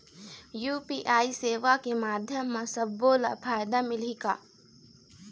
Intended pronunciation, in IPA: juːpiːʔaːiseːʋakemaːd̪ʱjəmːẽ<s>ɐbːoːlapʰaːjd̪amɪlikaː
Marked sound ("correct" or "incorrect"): correct